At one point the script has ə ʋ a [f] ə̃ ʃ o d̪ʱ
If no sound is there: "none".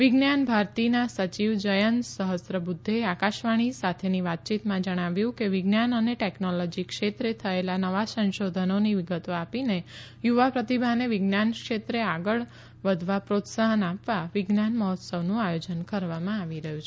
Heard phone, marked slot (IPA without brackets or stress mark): s